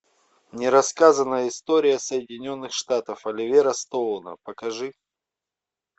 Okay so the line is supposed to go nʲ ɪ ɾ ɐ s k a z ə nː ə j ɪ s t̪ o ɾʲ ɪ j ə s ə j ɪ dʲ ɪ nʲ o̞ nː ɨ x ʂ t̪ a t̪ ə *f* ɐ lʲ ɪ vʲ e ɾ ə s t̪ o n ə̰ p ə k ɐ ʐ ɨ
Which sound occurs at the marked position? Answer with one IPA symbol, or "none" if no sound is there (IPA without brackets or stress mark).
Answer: f